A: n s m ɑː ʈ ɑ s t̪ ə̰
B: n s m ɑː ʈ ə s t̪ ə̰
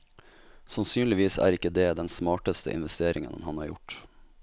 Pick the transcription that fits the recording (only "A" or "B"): B